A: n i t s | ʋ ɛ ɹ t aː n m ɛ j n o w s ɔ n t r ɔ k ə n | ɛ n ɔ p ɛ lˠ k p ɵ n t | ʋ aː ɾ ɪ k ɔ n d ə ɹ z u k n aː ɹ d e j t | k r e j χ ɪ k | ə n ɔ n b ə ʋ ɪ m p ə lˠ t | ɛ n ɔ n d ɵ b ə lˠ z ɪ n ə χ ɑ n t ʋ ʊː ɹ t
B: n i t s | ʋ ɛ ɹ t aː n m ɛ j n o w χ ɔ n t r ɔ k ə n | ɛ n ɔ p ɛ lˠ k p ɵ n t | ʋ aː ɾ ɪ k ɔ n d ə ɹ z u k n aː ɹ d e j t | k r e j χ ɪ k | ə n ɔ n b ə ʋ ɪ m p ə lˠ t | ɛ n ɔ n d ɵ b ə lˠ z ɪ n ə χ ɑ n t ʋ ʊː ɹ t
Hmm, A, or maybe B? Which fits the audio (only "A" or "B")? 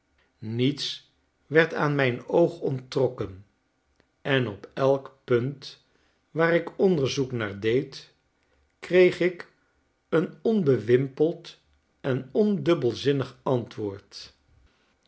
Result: B